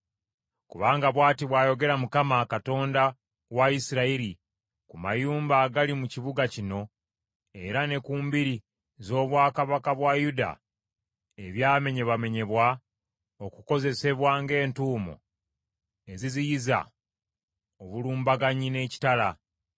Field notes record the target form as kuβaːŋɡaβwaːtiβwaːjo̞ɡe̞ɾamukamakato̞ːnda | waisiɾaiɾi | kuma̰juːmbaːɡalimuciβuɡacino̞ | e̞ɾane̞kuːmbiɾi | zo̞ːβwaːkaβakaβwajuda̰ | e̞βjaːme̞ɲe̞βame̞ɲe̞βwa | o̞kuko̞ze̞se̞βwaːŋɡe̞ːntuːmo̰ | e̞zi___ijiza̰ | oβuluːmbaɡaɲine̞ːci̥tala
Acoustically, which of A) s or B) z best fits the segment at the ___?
B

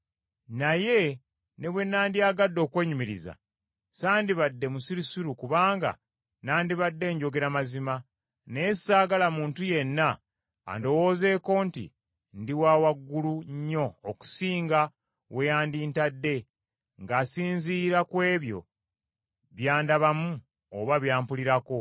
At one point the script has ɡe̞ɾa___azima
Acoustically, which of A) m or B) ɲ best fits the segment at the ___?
A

